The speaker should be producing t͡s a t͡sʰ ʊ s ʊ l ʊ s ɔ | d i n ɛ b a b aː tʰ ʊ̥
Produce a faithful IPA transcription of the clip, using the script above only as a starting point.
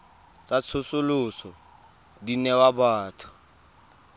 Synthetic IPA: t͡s a t͡sʰ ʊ s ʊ l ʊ s ɔ | d i n ɛ w a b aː tʰ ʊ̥